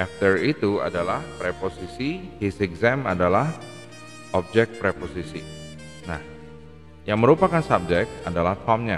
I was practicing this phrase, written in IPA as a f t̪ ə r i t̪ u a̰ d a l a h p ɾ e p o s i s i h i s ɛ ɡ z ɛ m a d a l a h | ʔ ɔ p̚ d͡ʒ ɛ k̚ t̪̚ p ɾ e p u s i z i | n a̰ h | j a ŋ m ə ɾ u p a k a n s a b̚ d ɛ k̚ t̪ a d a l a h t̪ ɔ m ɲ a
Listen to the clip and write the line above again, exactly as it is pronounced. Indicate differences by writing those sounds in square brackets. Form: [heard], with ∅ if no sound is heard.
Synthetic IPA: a f t̪ ə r i t̪ u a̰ d a l a h p ɾ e p o s i s i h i s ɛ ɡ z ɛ m a d a l a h | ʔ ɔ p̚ d͡ʒ ɛ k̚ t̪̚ p ɾ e p [o] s i [s] i | n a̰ h | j a ŋ m ə ɾ u p a k a n s a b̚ [d͡ʒ] ɛ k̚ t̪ a d a l a h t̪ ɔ m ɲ a